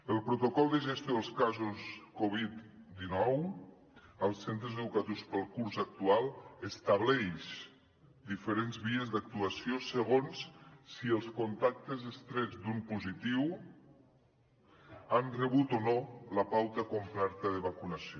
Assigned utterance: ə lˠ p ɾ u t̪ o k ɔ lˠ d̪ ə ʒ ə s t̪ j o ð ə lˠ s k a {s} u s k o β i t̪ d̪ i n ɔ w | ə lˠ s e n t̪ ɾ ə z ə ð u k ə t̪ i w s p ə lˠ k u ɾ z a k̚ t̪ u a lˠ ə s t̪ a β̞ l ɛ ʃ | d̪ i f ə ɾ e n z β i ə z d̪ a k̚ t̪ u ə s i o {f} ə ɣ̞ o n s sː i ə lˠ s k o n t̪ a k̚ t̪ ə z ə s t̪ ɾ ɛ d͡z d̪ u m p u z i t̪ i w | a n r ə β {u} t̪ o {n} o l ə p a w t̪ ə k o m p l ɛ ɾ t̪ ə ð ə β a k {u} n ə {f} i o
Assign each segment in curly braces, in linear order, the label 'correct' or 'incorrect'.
incorrect: z, incorrect: s, correct, correct, correct, incorrect: s

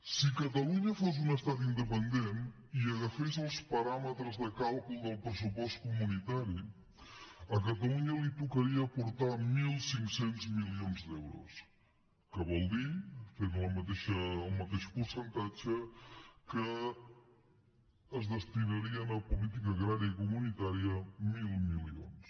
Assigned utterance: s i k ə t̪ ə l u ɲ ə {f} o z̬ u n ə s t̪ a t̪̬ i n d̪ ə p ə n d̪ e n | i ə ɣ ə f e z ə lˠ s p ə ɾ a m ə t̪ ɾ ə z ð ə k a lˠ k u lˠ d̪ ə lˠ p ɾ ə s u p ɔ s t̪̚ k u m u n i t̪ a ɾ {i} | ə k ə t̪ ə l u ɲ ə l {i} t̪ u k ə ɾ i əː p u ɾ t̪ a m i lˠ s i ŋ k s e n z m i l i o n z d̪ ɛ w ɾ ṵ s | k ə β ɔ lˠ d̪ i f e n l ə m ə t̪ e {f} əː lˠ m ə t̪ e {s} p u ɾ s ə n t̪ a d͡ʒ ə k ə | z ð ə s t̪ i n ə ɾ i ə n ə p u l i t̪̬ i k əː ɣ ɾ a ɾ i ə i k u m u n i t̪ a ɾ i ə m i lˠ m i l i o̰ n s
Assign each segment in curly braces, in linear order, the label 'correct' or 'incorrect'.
correct, correct, correct, incorrect: ʃ, incorrect: ʃ

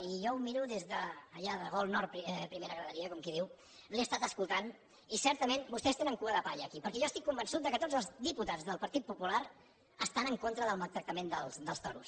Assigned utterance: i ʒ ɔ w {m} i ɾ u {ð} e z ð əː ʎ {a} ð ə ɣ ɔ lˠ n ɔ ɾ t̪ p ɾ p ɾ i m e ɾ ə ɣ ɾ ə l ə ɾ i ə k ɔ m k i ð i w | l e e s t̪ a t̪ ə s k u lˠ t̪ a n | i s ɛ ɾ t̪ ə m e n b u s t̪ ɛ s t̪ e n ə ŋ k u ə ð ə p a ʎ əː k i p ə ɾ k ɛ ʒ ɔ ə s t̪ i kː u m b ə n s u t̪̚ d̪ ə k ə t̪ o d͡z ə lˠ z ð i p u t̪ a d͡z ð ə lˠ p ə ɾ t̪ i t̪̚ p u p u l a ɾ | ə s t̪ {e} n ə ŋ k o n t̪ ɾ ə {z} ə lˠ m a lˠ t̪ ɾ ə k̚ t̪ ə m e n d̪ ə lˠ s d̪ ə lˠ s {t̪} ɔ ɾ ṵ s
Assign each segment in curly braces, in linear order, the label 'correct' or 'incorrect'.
correct, correct, correct, incorrect: a, incorrect: ð, correct

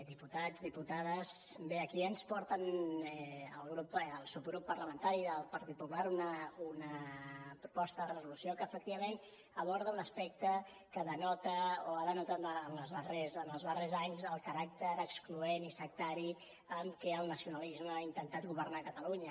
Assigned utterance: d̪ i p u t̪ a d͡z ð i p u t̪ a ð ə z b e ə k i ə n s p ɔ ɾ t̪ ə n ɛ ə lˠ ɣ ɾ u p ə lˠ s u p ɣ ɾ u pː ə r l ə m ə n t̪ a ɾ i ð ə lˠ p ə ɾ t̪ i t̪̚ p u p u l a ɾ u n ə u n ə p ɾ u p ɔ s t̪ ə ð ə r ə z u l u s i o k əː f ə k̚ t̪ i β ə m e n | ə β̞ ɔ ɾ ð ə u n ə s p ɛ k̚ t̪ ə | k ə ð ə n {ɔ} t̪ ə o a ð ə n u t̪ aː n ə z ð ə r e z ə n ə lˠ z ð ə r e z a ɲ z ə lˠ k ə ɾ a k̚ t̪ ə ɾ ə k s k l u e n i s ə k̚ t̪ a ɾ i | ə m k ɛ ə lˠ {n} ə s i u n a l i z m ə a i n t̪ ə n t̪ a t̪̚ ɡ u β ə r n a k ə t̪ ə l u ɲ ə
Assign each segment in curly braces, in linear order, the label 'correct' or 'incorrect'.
correct, correct

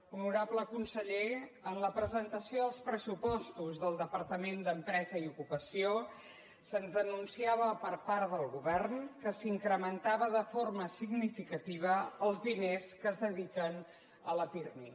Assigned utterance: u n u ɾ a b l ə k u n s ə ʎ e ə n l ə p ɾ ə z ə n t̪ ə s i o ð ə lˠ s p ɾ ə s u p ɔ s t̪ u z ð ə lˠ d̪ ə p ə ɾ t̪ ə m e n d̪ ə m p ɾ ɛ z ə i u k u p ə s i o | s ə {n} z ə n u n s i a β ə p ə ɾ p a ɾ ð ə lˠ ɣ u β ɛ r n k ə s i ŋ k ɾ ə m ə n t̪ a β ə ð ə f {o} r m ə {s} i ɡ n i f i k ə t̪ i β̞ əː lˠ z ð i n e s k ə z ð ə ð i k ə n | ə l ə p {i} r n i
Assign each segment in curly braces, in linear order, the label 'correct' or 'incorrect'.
correct, correct, correct, correct

